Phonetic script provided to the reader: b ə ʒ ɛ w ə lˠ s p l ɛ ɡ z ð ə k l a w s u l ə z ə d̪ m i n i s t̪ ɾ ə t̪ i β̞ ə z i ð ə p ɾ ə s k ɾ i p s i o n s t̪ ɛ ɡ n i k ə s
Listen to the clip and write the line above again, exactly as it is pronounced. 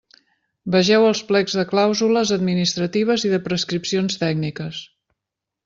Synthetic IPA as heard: b ə ʒ ɛ w ə lˠ s p l ɛ ɡ z ð ə k l a w z u l ə z ə d̪ m i n i s t̪ ɾ ə t̪ i β̞ ə z i ð ə p ɾ ə s k ɾ i p s i o n s t̪ ɛ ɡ n i k ə s